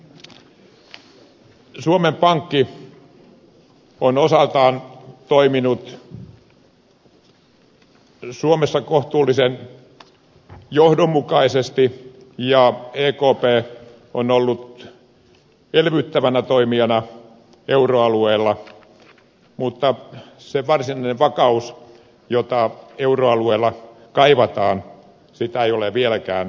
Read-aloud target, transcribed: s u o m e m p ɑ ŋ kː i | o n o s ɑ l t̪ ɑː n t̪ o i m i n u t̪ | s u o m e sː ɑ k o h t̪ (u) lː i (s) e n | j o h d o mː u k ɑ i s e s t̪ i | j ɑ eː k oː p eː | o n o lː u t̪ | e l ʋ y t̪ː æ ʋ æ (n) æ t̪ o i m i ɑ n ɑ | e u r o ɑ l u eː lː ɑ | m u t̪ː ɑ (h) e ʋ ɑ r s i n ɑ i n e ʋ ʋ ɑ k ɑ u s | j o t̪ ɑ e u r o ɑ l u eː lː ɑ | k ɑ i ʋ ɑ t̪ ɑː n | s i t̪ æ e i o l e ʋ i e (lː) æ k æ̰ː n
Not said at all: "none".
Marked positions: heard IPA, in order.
uː, s, n, s, l

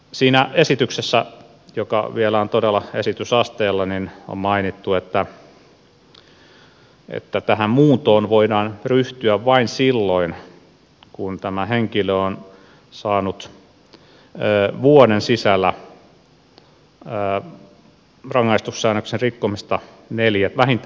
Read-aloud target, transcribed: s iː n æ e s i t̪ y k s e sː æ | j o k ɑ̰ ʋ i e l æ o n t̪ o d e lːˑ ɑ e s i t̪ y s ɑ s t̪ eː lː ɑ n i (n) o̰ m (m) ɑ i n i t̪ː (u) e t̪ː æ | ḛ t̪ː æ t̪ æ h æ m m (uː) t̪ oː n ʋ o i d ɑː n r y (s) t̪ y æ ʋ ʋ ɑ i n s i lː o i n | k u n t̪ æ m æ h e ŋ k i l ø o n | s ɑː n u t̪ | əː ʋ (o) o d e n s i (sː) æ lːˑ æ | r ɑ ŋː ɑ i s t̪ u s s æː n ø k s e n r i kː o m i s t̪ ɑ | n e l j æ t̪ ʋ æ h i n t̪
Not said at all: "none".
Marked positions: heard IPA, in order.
n, m, u, uː, h, u, s

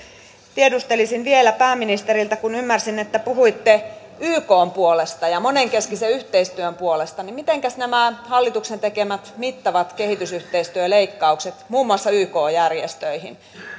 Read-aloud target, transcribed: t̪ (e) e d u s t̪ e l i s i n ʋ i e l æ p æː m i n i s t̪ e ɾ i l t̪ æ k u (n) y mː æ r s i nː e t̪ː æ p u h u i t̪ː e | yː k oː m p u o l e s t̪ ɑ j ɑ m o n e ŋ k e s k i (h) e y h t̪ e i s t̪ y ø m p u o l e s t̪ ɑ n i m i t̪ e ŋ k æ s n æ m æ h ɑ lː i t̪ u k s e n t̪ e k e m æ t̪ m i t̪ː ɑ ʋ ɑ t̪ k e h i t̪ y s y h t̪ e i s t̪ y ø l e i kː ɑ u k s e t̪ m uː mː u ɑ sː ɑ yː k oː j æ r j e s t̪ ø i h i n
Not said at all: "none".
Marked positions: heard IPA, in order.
i, n, s

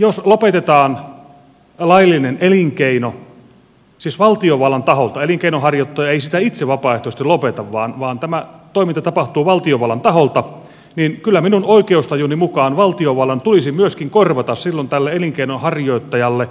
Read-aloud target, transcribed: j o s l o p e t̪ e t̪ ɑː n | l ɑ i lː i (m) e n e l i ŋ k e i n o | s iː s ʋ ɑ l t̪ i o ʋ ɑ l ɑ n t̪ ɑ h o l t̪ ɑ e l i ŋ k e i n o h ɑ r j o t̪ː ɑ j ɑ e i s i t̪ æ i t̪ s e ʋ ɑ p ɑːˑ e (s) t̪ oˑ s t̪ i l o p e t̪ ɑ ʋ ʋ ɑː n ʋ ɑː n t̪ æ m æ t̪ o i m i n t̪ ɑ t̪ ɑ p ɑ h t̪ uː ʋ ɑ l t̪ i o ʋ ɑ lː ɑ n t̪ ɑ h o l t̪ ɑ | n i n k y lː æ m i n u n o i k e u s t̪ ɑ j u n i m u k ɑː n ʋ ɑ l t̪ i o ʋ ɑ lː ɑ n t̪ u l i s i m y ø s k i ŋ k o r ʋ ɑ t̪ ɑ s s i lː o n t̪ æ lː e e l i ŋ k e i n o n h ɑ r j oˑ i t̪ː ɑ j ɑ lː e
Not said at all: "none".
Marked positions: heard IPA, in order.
n, h

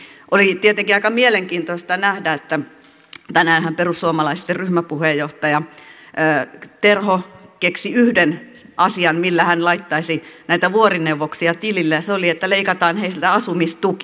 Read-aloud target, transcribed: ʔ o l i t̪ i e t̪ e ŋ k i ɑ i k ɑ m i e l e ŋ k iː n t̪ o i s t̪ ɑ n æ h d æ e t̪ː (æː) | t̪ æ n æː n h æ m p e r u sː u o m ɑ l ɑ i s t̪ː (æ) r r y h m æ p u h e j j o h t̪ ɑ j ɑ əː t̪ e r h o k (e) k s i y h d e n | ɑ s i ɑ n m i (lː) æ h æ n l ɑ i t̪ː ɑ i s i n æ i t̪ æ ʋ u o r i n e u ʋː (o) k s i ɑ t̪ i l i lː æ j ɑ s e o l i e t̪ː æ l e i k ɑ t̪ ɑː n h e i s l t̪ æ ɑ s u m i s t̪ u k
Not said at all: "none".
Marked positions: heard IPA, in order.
æ, e, e, lː, o

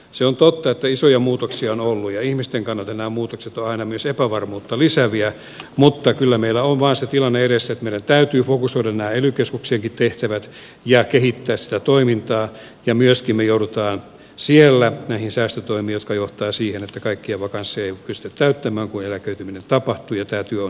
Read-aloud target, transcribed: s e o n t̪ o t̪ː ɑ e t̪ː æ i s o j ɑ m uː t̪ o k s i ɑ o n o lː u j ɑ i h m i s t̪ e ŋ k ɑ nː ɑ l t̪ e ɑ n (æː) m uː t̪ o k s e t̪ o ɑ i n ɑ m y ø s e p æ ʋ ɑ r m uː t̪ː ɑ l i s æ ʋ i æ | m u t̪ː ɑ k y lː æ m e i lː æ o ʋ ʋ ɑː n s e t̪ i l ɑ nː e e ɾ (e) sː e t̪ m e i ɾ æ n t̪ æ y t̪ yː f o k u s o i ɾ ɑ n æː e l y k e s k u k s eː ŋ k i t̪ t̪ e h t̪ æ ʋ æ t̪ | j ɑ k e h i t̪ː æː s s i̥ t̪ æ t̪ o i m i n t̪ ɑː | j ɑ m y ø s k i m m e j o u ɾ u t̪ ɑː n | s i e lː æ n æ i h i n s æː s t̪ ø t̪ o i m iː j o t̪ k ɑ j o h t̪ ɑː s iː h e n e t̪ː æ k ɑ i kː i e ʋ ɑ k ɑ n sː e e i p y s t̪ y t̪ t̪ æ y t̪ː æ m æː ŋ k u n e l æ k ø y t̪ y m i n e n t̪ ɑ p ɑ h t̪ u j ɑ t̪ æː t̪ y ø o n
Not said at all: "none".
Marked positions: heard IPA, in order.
æː, e

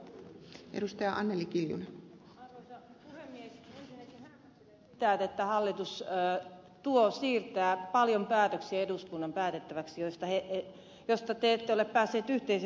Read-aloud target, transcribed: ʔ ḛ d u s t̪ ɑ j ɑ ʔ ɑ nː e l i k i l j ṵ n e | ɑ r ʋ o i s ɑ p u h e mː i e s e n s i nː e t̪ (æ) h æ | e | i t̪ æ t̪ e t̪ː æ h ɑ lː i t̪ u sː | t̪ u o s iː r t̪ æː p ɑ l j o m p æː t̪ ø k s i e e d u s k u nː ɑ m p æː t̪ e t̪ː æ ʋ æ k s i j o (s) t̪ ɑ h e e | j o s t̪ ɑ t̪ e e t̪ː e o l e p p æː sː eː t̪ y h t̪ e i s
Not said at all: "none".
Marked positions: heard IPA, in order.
i, s

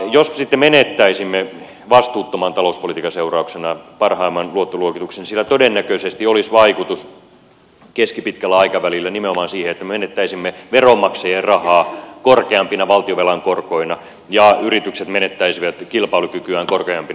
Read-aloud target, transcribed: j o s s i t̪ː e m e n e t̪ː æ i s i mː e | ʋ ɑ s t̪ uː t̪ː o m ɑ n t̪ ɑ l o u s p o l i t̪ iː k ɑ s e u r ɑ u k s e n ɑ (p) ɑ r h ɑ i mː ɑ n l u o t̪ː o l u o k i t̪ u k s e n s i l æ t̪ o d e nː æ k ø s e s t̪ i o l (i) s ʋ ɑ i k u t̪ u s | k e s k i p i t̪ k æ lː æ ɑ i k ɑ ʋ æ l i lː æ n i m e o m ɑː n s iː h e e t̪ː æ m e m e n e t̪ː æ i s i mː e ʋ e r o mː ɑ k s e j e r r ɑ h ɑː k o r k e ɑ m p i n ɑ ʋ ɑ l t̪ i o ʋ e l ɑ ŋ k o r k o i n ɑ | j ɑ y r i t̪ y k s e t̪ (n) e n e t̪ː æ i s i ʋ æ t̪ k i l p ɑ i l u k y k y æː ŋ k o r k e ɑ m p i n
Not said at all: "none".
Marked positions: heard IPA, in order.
p, i, m

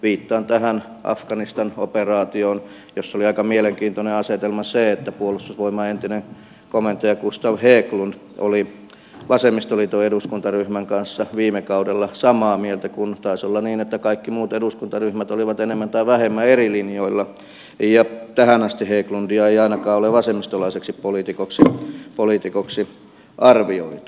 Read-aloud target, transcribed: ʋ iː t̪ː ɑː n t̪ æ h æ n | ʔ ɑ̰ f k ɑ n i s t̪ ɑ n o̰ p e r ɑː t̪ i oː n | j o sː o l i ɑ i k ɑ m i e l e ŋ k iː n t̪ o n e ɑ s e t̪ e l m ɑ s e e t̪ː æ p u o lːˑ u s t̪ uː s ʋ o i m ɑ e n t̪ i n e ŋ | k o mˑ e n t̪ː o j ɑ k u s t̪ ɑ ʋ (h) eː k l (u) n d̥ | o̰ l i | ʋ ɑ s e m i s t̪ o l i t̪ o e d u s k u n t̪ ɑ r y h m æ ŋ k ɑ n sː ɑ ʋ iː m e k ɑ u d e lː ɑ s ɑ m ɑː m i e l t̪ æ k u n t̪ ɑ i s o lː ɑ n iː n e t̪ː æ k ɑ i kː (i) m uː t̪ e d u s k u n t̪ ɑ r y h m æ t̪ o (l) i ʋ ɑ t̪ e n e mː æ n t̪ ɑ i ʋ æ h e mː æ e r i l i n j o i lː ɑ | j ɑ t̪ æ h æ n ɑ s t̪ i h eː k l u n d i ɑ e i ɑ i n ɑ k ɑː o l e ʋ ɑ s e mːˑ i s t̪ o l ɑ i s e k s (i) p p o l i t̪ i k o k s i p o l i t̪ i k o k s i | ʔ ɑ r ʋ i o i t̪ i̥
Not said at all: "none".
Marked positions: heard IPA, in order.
h, u, i, l, i

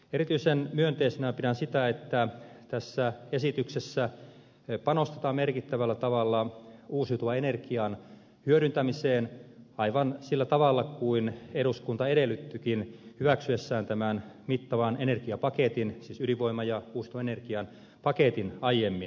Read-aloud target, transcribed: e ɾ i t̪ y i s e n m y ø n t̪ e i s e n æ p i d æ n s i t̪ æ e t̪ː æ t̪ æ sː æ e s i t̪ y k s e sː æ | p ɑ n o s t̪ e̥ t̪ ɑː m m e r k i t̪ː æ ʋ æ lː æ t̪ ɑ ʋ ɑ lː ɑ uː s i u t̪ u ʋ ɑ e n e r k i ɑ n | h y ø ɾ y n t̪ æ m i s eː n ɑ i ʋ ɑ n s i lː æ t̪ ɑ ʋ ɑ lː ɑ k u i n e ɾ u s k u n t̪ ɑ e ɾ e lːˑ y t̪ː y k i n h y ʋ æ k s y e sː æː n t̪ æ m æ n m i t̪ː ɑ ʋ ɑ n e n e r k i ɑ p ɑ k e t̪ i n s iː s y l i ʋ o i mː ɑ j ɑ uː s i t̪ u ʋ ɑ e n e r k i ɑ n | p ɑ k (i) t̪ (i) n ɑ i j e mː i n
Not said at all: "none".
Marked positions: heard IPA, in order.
e, i

